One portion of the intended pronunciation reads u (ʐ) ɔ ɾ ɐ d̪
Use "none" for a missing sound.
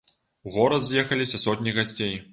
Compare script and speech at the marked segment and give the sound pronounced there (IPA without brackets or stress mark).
ɣ